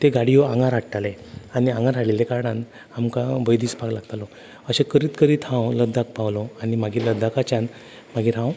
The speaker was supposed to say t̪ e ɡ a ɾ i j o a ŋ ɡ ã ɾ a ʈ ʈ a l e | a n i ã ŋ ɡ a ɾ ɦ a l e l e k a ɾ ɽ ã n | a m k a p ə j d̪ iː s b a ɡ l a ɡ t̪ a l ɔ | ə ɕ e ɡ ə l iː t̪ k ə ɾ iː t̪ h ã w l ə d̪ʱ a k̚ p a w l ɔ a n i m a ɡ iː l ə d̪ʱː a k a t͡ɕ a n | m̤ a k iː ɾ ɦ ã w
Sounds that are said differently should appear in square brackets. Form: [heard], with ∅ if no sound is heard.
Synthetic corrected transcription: t̪ e ɡ a [ɽ] i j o a ŋ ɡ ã ɾ a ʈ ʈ a l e | a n i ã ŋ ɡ a ɾ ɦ a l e l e k a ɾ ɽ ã n | a m k a [b] ə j d̪ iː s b a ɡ l a ɡ t̪ a l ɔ | ə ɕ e [k] ə [ɾ] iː t̪ k ə ɾ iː t̪ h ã w l ə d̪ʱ a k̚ p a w l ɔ a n i m a ɡ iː l ə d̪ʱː a k a t͡ɕ a n | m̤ a [ɡ] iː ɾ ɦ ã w